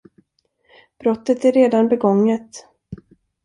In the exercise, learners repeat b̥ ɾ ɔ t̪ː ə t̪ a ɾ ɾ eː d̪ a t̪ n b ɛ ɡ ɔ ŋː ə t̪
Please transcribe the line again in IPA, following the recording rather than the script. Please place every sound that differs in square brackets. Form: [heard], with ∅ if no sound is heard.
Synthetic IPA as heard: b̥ ɾ ɔ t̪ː ə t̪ [æ] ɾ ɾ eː d̪ a [∅] n b ɛ ɡ ɔ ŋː ə t̪